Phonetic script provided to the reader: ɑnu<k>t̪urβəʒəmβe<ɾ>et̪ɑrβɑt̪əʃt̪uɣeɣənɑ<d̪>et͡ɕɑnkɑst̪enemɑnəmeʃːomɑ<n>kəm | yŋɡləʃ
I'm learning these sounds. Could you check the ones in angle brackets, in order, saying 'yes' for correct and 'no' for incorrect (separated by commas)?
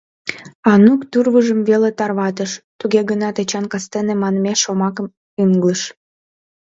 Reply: yes, no, no, no